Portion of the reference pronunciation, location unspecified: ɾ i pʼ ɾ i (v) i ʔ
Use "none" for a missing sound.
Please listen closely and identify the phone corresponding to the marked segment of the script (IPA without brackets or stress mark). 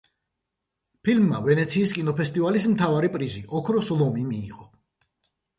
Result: z